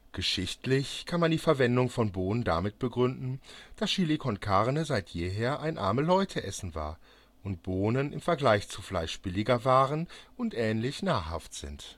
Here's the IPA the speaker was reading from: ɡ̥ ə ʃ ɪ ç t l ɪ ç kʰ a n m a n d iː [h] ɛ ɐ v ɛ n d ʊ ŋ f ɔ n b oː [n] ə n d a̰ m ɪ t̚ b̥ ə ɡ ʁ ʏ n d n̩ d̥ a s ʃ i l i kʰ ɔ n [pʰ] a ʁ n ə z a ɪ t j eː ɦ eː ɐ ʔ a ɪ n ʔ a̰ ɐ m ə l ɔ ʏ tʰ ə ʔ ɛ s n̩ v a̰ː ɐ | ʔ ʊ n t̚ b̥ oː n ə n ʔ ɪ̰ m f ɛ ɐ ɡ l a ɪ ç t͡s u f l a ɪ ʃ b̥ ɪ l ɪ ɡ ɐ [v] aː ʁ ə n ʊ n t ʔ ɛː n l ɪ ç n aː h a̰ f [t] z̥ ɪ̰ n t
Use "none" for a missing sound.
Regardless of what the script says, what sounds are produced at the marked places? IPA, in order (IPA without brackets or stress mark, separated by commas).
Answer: f, n, kʰ, v, t